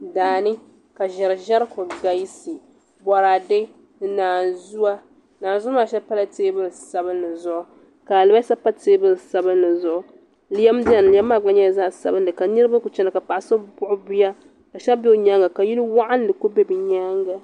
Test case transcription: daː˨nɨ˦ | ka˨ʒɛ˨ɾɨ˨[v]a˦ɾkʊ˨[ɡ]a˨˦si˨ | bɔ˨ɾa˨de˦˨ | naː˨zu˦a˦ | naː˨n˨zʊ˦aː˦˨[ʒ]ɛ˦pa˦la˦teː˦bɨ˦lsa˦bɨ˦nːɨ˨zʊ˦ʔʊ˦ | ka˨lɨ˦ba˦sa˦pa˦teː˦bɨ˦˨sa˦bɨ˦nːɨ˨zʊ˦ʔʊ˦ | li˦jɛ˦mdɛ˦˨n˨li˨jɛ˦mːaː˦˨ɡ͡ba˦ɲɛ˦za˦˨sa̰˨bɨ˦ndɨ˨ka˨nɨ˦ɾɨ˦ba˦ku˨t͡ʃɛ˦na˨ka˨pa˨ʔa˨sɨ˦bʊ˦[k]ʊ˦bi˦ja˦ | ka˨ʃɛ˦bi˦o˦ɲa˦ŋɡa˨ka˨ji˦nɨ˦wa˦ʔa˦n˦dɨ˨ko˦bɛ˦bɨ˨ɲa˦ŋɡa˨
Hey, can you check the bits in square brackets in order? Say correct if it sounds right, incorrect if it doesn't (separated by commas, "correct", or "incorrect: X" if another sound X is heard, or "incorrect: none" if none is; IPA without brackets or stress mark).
incorrect: ʒ, correct, incorrect: ʃ, incorrect: ʔ